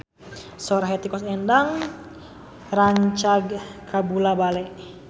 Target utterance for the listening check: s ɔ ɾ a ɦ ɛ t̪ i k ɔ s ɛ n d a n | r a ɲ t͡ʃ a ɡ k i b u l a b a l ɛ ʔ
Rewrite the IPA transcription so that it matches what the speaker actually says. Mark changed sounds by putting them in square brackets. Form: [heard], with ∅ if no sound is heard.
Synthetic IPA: s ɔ ɾ a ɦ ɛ t̪ i k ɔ s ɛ n d a [ŋ] | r a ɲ t͡ʃ a ɡ k [a] b u l a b a l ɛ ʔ

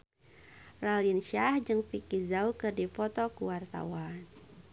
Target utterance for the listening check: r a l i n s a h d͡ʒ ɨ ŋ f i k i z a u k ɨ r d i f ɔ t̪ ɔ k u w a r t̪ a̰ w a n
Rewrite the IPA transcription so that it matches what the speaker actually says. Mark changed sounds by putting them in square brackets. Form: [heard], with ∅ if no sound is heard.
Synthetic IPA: r a l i n [ʃ] a h d͡ʒ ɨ ŋ f i k i z a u k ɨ r d i f ɔ t̪ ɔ k u w a r t̪ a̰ w a n

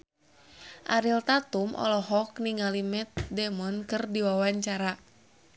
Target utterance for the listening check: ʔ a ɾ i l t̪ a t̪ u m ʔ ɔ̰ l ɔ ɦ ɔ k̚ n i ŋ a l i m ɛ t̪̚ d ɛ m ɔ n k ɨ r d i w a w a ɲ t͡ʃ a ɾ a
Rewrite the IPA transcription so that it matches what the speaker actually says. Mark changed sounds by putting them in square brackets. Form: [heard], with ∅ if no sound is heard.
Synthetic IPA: ʔ a ɾ i l t̪ a t̪ u m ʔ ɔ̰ l ɔ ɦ ɔ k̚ n i ŋ a l i m ɛ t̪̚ d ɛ m ɔ n k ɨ r d i w a w a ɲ t͡ʃ a ɾ a

